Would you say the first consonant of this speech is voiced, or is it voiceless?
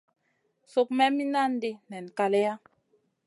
voiceless